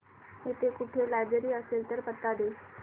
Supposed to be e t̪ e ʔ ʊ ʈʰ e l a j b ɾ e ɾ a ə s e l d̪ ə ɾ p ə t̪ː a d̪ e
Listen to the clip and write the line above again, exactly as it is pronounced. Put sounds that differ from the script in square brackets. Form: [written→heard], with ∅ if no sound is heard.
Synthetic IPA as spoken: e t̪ e [ʔ→k] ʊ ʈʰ e l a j b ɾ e ɾ [a→i] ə s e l [d̪→t̪] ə ɾ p ə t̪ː a d̪ e